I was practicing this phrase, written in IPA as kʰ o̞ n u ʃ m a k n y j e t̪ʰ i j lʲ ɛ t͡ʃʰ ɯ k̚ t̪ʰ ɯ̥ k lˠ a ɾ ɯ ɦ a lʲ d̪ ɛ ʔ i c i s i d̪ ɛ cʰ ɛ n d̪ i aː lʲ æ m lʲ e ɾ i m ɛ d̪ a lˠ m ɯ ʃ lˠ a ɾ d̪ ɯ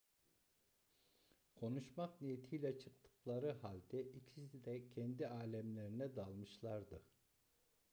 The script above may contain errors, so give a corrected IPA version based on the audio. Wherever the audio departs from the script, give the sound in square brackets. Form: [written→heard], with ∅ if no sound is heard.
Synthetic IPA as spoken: kʰ o̞ n u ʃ m a k n [y→i] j e t̪ʰ i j lʲ ɛ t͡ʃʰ ɯ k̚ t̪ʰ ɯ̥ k lˠ a ɾ ɯ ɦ a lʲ d̪ ɛ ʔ i [c→cʰ] i s i d̪ ɛ cʰ ɛ n d̪ i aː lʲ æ m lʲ e ɾ i [m→n] ɛ d̪ a lˠ m ɯ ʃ lˠ a ɾ d̪ ɯ